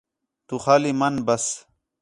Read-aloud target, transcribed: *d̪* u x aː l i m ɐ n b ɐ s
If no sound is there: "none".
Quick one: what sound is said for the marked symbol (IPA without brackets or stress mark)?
t̪